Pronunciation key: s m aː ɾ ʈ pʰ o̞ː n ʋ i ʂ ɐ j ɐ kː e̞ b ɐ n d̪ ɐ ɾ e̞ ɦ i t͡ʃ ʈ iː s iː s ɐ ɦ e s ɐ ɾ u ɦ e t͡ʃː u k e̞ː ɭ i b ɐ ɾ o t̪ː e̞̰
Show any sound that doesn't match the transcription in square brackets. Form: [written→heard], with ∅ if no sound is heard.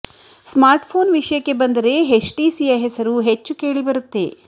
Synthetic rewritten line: s m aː ɾ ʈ pʰ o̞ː n ʋ i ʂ ɐ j ɐ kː e̞ b ɐ n d̪ ɐ ɾ e̞ ɦ [i→e] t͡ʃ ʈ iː s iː [s→∅] ɐ ɦ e s ɐ ɾ u ɦ e t͡ʃː u k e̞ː ɭ i b ɐ ɾ [o→u] t̪ː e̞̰